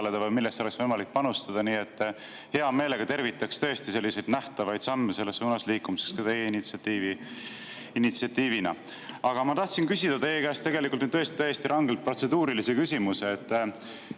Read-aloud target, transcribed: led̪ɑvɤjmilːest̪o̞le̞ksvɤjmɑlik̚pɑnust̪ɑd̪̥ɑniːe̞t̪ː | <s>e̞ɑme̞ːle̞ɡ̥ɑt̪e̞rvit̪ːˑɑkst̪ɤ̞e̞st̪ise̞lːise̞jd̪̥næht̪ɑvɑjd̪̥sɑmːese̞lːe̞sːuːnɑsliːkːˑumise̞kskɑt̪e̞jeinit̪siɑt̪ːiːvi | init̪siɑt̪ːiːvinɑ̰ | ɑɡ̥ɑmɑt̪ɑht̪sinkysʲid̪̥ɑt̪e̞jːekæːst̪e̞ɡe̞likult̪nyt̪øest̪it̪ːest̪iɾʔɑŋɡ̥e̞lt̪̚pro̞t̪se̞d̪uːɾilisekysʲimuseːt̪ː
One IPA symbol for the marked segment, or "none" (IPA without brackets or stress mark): h